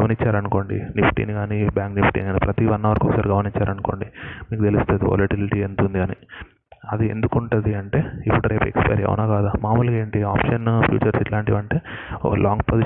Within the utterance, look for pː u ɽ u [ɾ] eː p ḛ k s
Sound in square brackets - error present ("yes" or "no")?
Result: no